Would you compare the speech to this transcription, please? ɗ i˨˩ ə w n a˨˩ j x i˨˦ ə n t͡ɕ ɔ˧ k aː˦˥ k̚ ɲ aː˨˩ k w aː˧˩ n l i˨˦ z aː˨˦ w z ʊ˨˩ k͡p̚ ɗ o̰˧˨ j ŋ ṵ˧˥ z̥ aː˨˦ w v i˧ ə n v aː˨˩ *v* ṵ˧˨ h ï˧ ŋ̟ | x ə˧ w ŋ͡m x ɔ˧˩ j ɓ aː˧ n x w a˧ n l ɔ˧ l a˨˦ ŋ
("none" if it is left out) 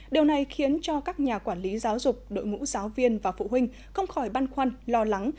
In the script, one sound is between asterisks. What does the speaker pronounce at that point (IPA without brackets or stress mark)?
f